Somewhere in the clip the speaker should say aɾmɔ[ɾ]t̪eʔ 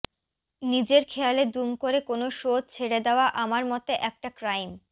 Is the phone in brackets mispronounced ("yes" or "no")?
yes